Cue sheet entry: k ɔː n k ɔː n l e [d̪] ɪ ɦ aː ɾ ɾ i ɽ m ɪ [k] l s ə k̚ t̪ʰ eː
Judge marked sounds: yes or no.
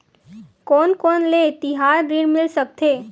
no, no

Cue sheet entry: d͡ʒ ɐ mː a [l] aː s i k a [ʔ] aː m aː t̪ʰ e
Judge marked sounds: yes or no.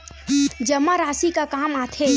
no, no

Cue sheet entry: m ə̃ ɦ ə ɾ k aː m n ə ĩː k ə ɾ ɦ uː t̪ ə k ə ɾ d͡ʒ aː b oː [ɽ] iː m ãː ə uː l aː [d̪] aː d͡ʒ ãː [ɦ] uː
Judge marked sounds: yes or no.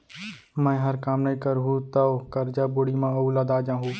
yes, yes, yes

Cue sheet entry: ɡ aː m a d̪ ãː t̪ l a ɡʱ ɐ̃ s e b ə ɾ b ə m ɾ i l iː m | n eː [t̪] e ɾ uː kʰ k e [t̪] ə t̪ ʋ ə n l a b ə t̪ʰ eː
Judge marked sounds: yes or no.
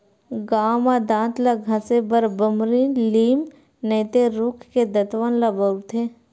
yes, no

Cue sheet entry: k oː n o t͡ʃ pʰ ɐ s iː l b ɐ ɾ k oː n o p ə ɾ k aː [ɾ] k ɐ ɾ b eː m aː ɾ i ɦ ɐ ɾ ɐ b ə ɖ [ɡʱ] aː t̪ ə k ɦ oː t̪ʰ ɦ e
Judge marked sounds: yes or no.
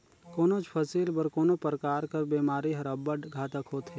yes, yes

